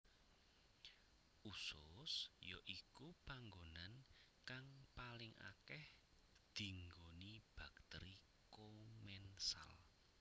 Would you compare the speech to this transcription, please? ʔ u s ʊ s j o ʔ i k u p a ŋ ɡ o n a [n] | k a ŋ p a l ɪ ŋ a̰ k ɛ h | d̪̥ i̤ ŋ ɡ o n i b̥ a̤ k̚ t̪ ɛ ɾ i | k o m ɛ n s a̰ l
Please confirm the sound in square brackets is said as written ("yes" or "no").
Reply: yes